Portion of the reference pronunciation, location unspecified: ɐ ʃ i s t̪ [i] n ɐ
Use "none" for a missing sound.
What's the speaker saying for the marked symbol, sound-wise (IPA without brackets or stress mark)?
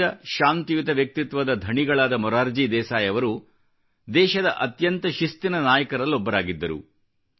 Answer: i